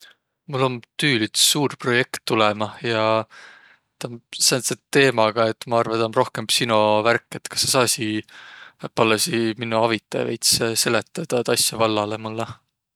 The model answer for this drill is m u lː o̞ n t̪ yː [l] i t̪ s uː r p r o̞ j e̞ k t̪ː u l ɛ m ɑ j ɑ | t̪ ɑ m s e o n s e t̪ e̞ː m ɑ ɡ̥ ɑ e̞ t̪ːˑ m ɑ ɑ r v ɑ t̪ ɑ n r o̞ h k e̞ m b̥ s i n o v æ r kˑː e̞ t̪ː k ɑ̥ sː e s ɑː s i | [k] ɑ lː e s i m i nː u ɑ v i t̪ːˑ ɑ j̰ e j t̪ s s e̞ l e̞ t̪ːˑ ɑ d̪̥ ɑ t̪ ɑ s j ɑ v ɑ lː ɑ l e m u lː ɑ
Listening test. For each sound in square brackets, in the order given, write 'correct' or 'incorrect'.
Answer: correct, incorrect: p

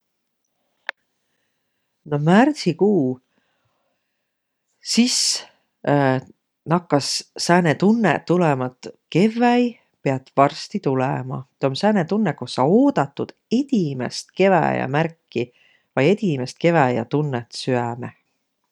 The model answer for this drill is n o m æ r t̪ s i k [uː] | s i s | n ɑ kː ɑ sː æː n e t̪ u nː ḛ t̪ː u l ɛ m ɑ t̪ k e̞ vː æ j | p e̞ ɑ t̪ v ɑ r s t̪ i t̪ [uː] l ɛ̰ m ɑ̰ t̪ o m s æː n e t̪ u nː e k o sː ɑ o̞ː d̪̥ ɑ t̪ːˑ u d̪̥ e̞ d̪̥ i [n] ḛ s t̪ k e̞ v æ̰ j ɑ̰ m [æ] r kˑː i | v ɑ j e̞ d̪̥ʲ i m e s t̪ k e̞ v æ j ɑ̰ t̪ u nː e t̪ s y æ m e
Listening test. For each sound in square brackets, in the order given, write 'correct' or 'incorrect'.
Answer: correct, incorrect: u, incorrect: m, correct

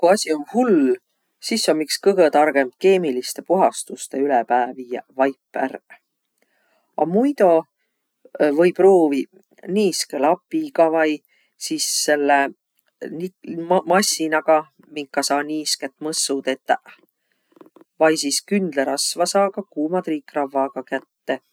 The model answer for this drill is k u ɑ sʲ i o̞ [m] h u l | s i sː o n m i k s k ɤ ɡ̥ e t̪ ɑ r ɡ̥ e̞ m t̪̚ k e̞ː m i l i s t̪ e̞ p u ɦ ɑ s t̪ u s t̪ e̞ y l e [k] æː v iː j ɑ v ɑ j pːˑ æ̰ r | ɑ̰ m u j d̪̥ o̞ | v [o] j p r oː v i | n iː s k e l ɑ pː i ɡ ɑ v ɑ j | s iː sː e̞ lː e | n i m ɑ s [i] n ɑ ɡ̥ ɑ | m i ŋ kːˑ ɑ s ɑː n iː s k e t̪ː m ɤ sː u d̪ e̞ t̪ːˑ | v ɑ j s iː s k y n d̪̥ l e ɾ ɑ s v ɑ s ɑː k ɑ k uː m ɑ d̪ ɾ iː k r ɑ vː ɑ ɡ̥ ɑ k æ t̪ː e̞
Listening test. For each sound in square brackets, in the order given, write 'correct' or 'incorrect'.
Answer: incorrect: n, incorrect: p, incorrect: ɤ, correct

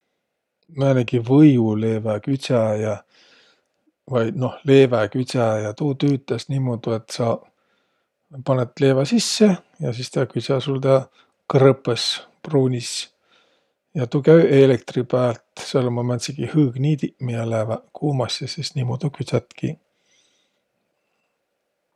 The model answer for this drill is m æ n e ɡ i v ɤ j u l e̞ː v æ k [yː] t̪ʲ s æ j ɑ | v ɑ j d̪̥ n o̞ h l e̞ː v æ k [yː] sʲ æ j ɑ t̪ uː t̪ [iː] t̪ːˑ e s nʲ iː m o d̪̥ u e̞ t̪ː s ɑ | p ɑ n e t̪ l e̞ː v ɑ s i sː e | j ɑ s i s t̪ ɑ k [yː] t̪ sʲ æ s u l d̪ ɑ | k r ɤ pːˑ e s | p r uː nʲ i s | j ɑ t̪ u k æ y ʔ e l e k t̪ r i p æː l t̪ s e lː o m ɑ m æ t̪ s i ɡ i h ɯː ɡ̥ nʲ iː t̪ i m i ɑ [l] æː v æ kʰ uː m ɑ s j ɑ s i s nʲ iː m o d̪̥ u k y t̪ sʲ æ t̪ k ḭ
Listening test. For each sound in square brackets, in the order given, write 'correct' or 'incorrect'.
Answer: incorrect: y, incorrect: y, incorrect: yː, incorrect: y, correct

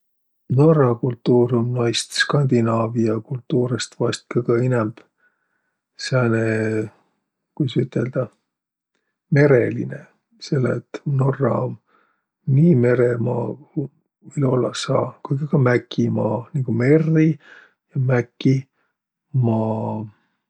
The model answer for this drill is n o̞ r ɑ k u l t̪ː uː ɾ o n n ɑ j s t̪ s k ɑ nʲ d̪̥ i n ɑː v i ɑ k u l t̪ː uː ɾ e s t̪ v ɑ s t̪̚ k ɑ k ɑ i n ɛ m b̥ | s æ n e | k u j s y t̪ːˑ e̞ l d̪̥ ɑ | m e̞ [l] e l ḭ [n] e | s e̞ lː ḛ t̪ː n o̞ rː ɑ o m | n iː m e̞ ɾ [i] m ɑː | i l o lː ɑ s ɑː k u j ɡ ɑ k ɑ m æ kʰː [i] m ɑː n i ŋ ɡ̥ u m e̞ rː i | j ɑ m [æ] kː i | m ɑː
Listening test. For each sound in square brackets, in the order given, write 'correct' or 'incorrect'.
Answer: incorrect: ɾ, correct, incorrect: e, correct, correct

